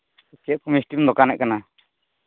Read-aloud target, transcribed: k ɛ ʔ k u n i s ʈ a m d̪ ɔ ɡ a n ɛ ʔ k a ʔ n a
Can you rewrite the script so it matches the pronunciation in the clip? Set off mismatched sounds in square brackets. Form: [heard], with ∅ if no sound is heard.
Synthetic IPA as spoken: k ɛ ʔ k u [m] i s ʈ [i] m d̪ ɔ [k] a n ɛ ʔ k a [∅] n a